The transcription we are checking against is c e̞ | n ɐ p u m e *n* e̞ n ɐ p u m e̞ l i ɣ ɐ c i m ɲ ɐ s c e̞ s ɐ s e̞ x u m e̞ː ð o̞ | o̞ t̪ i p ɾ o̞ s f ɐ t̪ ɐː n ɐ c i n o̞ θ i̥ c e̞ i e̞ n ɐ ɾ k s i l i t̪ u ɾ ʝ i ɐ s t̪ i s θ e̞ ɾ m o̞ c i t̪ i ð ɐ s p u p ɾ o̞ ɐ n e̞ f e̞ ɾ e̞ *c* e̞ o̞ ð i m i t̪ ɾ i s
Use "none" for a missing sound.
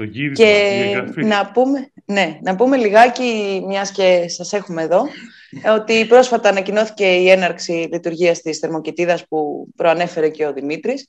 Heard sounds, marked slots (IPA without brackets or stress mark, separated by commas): n, c